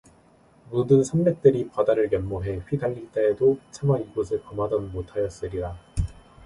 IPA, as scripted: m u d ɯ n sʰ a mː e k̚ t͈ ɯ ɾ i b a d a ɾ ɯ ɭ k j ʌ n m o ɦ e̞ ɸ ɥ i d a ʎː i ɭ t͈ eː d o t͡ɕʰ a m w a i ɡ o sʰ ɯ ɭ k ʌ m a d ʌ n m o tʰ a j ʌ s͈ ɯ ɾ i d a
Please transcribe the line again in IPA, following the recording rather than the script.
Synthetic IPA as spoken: m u d ɯ n sʰ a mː e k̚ t͈ ɯ ɾ i p a d a ɾ ɯ ɭ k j ʌ n m o ɦ e̞ ɸ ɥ i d a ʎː i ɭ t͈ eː d o t͡ɕʰ a m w a i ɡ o sʰ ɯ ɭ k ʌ m a d ʌ n m o tʰ a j ʌ s͈ ɯ ɾ i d a